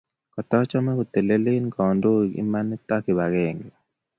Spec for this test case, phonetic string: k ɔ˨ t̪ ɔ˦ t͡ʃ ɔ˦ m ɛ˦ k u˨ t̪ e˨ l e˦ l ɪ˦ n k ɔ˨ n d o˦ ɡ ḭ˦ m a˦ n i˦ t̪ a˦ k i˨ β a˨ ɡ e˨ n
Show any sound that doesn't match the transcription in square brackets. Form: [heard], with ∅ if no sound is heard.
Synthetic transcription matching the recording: k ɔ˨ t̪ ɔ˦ t͡ʃ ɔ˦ m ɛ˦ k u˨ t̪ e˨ l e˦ l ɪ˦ n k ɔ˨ n d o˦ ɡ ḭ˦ m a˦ n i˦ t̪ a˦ k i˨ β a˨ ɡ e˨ [ŋ]